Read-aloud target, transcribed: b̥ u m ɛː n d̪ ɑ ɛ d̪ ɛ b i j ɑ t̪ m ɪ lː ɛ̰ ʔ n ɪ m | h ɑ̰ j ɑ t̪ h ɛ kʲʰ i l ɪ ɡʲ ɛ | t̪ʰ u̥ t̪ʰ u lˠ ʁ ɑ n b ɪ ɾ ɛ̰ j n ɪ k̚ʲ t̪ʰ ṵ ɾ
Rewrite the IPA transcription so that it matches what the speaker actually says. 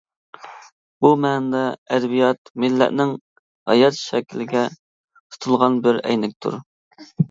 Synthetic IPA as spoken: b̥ u m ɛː n d̪ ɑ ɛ d̪ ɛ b i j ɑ t̪ m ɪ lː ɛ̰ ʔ n ɪ ŋ | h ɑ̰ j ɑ t̪ ʃ ɛ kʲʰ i l ɪ ɡʲ ɛ | t̪ʰ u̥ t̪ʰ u lˠ ʁ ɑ n b ɪ ɾ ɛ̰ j n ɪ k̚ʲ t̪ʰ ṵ ɾ